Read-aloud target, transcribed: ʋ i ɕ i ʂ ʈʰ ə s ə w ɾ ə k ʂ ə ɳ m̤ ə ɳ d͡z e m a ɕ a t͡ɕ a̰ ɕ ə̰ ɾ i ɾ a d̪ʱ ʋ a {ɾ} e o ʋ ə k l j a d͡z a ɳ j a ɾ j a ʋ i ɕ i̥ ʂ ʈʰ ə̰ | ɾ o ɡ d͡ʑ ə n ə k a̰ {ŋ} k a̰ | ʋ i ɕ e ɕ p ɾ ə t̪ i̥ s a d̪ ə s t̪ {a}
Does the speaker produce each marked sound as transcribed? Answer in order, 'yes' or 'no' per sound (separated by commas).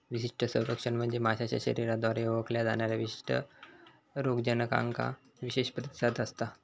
yes, yes, yes